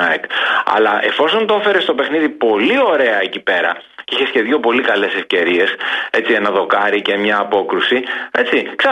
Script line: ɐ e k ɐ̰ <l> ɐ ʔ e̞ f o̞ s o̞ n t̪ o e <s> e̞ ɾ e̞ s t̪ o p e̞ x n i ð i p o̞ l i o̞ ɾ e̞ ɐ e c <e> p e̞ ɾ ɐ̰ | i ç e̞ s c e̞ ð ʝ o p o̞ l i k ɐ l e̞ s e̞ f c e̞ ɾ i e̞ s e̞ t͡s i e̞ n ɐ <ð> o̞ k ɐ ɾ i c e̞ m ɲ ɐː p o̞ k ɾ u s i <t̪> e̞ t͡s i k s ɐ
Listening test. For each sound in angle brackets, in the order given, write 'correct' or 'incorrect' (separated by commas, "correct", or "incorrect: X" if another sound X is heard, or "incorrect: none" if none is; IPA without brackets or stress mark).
correct, incorrect: f, incorrect: i, correct, incorrect: none